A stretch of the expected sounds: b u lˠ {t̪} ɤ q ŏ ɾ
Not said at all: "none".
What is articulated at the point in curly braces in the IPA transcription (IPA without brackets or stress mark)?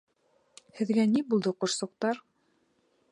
d̪